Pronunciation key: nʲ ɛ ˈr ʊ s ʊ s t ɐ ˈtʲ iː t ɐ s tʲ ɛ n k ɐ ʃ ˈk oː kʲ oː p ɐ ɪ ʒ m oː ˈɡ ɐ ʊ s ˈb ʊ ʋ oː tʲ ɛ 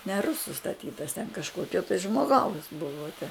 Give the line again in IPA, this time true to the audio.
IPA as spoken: nʲ ɛ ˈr ʊ s ʊ s t ɐ ˈtʲ iː t ɐ s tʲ ɛ n k ɐ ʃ ˈk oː kʲ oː t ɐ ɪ ʒ m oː ˈɡ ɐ ʊ s ˈb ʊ ʋ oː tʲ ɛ